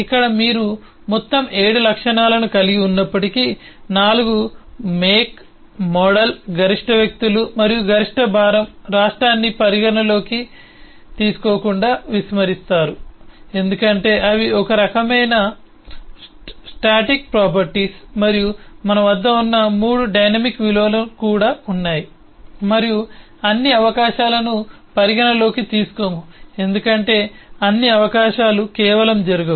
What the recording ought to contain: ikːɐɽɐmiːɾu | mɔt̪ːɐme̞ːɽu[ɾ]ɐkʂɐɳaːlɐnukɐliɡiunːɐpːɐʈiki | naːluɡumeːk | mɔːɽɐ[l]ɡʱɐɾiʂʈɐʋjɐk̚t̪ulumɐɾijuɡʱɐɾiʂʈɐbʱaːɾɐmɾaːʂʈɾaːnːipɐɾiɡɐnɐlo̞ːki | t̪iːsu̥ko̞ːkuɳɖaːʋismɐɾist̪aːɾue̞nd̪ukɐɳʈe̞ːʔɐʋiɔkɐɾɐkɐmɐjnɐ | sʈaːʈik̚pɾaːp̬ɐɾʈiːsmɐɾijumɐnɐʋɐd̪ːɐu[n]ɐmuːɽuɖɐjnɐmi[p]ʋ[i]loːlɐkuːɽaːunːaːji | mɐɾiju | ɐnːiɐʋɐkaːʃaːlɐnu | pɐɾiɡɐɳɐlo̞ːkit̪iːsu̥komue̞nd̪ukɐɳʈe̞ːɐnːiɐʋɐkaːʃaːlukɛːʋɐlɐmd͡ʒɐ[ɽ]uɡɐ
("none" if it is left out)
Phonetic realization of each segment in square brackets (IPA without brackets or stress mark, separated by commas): l, l, nː, k, i, ɾ